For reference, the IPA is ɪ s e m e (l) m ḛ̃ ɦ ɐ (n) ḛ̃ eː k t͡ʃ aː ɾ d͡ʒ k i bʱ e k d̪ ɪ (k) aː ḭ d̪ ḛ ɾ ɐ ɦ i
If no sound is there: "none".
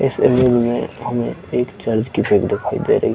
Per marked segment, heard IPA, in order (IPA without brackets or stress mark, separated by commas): l, m, kʰ